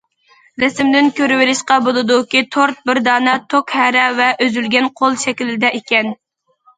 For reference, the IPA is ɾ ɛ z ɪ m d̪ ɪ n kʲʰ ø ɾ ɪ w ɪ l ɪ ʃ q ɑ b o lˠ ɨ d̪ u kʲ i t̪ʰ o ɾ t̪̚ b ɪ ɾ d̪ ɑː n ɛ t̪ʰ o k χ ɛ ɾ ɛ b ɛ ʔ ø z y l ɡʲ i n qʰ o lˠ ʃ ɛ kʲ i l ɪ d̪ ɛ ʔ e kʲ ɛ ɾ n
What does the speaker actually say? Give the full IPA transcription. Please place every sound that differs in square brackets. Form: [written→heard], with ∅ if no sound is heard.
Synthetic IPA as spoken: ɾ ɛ [z→s] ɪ m d̪ ɪ n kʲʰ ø ɾ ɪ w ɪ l ɪ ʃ q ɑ b o lˠ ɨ d̪ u kʲ i t̪ʰ o ɾ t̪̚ b ɪ ɾ d̪ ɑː n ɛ t̪ʰ o k [χ→h] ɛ ɾ ɛ [b→v] ɛ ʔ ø z y l ɡʲ [i→ɛ] n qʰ o lˠ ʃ ɛ kʲ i l ɪ d̪ ɛ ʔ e kʲ ɛ [ɾ→∅] n